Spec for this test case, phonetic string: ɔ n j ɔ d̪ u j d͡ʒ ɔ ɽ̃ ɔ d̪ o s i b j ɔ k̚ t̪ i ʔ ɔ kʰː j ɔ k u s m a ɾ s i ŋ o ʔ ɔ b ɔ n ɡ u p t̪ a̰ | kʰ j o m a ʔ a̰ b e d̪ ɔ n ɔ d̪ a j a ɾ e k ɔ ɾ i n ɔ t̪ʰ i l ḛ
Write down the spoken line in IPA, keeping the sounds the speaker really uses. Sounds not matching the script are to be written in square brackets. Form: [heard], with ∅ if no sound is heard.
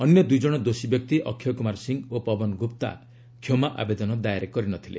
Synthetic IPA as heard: ɔ n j ɔ d̪ u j d͡ʒ ɔ ɽ̃ ɔ d̪ o s i b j ɔ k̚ t̪ i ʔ ɔ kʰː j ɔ k u [∅] m a ɾ s i ŋ o [p] ɔ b ɔ n ɡ u p t̪ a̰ | kʰ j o m a ʔ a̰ b e d̪ ɔ n ɔ d̪ a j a ɾ e k ɔ ɾ i n ɔ t̪ʰ i l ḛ